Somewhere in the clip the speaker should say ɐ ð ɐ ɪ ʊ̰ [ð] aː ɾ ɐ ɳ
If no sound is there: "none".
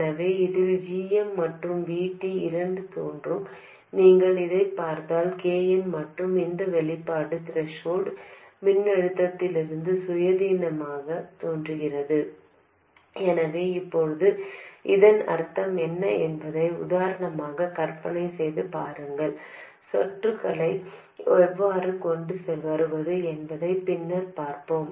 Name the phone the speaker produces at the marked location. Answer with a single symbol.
ð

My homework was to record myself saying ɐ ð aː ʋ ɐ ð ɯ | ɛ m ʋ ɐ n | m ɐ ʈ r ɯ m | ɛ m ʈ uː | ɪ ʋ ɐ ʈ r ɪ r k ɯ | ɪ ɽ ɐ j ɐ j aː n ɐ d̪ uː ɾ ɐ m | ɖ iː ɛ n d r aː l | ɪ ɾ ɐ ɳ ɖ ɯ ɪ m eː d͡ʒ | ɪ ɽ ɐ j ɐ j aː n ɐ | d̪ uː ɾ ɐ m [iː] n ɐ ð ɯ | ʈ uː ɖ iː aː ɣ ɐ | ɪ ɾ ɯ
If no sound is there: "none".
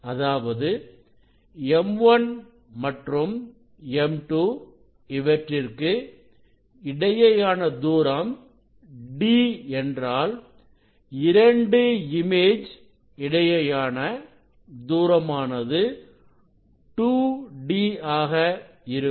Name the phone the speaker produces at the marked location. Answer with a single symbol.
aː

